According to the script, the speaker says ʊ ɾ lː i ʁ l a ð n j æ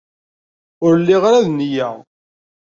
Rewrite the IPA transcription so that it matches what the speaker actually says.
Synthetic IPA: ʊ ɾ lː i ʁ ɾ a ð n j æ